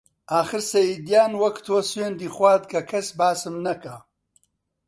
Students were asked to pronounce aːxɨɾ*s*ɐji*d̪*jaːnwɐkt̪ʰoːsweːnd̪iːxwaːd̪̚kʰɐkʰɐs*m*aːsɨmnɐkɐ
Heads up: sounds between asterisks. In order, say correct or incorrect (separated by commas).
correct, correct, incorrect